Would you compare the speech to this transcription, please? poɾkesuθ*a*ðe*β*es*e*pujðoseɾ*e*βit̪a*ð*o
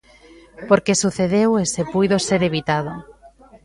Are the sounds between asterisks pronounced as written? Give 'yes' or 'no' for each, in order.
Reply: no, no, yes, yes, yes

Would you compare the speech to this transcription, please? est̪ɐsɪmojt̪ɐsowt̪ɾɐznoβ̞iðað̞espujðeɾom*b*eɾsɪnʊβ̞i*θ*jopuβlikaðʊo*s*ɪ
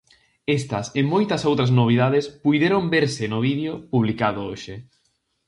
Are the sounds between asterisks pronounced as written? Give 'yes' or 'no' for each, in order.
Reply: yes, no, no

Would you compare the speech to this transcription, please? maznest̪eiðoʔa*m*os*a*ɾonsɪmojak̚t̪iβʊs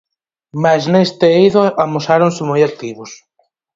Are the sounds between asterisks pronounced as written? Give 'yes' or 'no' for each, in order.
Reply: yes, yes

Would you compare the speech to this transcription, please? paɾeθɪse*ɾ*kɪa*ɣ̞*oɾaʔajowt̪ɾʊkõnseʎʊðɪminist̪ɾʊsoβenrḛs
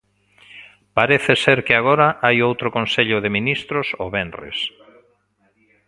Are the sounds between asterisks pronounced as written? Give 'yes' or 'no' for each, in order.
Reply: yes, yes

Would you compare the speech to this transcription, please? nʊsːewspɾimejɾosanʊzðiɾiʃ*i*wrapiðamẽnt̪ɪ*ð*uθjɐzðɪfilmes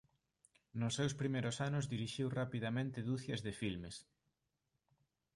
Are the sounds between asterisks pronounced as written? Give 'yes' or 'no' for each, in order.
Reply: yes, yes

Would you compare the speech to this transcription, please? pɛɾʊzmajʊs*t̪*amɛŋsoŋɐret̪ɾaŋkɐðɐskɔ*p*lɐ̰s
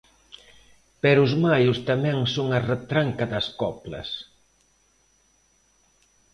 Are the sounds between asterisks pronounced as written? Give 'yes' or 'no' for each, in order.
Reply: yes, yes

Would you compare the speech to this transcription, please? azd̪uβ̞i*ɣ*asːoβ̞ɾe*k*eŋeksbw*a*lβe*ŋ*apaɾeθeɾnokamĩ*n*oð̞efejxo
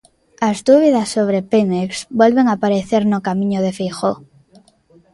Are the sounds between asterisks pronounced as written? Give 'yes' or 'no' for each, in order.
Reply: no, no, no, yes, no

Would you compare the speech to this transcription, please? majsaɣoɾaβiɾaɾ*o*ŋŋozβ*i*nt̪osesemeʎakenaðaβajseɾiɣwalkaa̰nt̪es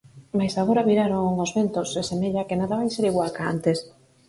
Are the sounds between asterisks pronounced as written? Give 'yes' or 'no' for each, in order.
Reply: yes, no

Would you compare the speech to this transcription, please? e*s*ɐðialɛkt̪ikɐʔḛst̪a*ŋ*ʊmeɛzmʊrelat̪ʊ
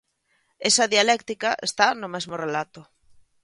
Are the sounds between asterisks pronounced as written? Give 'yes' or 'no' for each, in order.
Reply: yes, no

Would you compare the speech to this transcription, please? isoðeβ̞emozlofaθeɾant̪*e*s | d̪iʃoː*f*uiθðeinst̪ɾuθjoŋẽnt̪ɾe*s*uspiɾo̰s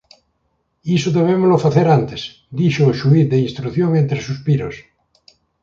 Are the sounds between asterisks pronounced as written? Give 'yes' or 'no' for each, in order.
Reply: yes, no, yes

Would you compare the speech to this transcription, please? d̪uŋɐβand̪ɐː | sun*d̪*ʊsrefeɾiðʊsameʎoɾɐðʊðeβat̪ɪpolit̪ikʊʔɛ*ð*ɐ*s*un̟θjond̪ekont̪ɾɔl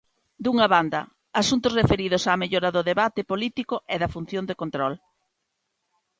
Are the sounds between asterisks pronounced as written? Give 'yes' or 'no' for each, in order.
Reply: no, yes, no

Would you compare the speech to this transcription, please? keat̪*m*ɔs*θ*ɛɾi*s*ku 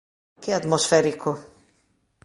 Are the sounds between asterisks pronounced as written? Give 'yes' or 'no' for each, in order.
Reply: yes, no, no

